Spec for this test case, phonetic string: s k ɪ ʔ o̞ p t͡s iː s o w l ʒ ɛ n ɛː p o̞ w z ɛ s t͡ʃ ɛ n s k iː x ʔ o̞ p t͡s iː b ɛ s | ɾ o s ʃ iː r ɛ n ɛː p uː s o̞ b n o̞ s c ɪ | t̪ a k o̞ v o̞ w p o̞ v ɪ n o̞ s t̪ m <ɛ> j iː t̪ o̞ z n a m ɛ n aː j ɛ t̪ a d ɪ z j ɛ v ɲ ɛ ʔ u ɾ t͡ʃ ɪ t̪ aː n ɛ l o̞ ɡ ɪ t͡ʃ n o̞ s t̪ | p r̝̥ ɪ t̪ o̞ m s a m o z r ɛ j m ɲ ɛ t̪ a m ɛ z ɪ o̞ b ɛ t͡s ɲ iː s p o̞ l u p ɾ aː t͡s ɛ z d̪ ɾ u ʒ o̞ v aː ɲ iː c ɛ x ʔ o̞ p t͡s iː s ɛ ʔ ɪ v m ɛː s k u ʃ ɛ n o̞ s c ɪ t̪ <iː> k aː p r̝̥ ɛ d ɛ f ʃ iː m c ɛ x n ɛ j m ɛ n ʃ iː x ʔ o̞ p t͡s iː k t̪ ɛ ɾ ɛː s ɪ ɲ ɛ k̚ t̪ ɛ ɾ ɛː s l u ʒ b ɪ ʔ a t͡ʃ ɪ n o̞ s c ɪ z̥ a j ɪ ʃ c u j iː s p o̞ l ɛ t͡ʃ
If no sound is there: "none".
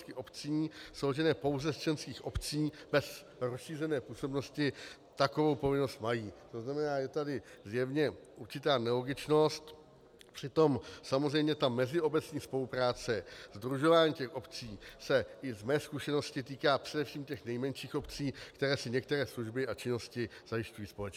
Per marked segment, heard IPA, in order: a, iː

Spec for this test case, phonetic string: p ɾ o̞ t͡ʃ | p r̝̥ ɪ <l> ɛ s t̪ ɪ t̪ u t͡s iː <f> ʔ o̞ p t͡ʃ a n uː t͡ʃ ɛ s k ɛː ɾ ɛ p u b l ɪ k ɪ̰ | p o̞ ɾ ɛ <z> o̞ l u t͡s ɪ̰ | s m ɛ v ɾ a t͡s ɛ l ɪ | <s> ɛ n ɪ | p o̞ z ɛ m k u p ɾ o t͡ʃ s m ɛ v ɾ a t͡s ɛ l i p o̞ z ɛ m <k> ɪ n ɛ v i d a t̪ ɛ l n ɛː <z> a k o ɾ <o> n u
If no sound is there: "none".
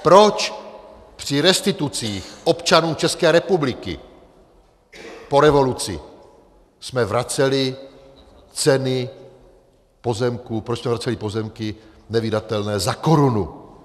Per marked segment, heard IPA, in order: ɾ, x, v, t͡s, k, z, u

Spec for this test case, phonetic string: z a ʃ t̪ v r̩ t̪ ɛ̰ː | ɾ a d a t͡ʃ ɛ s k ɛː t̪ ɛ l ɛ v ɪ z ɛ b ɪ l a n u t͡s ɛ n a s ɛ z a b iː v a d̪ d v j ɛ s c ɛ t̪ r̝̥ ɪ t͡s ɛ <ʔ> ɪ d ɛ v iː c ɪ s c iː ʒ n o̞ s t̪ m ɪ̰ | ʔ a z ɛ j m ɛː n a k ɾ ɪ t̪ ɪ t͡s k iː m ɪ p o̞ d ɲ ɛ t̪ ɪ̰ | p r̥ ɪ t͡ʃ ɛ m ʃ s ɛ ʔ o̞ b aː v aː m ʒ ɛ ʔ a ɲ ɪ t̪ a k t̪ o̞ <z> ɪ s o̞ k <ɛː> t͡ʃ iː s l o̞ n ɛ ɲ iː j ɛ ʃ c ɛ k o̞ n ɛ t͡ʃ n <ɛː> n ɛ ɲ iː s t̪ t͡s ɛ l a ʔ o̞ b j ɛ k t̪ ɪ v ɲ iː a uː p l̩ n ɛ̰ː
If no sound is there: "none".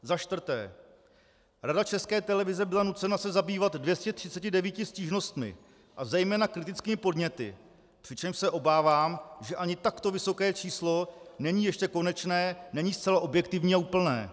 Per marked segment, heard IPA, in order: c, v, ɛː, ɛː

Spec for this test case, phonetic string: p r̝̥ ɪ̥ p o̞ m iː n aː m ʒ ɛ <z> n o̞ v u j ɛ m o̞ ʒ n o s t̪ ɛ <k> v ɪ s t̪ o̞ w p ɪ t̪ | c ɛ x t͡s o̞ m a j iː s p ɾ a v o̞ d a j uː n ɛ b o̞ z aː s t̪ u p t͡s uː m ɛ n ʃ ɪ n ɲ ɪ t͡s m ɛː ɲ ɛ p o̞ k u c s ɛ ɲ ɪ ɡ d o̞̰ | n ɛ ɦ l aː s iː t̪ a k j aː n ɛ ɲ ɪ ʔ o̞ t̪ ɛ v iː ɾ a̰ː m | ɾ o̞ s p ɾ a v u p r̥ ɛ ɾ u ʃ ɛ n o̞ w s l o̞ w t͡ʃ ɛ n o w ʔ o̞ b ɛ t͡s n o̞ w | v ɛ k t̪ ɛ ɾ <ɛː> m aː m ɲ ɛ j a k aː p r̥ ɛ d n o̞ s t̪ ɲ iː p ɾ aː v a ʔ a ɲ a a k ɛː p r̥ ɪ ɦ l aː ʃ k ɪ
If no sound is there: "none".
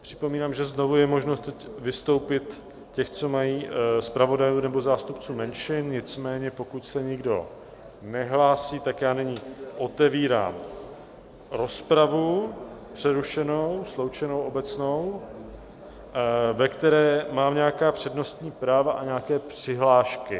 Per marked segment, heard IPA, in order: z, c, ɛː

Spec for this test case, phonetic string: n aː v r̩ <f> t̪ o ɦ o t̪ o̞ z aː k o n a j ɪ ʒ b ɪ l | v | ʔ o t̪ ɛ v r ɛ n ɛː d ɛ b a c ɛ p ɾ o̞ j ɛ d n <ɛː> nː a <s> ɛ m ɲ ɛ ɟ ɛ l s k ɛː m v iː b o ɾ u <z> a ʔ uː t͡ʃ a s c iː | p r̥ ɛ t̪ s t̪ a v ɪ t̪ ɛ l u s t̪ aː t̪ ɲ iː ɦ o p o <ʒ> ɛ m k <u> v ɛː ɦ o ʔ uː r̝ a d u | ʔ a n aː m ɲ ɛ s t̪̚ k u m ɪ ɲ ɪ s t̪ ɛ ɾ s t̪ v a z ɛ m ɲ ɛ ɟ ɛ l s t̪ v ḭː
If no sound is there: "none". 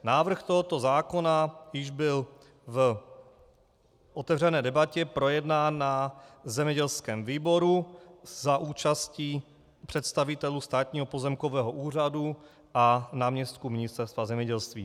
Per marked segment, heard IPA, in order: x, aː, z, z, z, o

